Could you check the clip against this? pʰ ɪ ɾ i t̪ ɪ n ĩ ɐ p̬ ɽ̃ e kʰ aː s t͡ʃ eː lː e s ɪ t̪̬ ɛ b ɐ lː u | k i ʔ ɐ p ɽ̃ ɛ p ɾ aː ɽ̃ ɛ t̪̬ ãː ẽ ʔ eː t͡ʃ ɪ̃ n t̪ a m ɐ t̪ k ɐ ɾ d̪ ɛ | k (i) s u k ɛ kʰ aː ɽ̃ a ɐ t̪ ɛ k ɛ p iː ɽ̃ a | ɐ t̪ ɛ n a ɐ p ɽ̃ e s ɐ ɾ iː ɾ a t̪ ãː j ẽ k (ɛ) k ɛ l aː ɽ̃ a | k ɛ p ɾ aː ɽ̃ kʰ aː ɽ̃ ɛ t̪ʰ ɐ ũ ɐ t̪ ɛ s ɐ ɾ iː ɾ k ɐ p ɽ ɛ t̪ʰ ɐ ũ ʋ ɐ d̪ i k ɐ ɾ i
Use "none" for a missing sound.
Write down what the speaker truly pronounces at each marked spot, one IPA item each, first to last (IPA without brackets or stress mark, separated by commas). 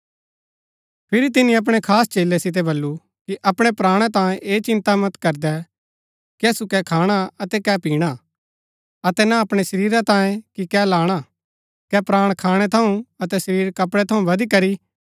ɛ, i